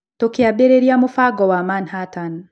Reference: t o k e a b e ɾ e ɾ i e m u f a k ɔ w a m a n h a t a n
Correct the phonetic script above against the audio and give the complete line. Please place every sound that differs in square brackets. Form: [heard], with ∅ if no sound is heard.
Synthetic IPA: t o k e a b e ɾ e ɾ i [a] m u f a [ɡ] ɔ w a m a n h a t a n